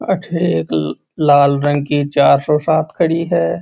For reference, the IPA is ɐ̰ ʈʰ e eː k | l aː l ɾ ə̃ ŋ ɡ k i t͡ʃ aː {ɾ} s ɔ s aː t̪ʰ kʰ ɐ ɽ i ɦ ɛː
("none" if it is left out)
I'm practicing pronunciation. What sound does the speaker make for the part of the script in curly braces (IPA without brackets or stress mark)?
ɾ